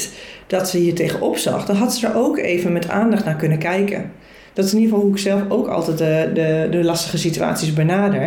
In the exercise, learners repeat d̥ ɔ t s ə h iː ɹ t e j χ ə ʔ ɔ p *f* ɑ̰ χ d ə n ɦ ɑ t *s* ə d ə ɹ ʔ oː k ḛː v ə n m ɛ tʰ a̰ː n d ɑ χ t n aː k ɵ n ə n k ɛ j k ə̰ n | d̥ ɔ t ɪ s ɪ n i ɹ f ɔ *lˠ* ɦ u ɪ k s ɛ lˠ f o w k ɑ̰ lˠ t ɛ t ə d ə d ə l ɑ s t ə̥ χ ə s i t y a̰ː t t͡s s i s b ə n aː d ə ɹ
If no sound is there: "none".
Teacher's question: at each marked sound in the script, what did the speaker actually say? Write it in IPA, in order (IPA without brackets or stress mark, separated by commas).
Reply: s, s, lˠ